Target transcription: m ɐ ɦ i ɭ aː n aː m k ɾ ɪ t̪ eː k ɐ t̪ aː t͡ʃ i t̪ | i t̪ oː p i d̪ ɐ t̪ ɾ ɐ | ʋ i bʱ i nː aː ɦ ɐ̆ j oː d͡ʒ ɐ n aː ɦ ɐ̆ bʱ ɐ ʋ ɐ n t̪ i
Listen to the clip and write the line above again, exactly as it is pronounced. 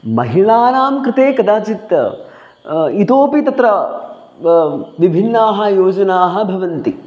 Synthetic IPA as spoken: m ɐ ɦ i ɭ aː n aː m k ɾ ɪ t̪ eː k ɐ d̪ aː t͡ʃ i t̪ | i t̪ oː p i t̪ ɐ t̪ ɾ ɐ | ʋ i bʱ i nː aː ɦ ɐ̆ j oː d͡ʒ ɐ n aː ɦ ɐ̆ bʱ ɐ ʋ ɐ n t̪ i